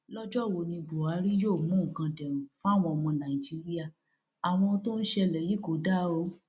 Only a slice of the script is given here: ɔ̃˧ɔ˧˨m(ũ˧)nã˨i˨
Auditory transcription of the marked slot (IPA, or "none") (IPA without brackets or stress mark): ɔ̃˧